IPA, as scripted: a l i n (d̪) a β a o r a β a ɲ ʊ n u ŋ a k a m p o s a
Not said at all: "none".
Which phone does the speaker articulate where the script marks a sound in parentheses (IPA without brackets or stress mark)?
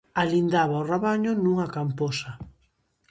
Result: d̪